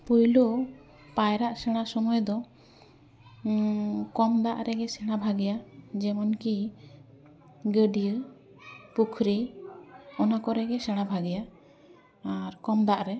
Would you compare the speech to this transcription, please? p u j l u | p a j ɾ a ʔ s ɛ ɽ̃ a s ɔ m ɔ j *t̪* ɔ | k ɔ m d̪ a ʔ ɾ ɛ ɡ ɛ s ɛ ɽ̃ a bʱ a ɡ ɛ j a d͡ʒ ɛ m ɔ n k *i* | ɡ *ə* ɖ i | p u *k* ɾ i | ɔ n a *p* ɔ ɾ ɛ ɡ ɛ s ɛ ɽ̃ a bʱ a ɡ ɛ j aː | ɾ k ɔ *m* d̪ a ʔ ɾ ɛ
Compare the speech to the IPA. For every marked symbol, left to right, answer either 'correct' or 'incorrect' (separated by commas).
incorrect, correct, correct, incorrect, incorrect, correct